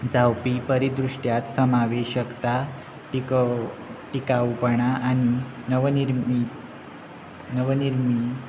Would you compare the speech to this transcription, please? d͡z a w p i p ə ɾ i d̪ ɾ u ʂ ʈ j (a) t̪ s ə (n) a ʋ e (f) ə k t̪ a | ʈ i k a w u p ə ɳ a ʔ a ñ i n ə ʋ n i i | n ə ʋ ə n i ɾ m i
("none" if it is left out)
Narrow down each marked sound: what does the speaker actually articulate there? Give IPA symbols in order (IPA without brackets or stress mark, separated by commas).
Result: a, m, ɕ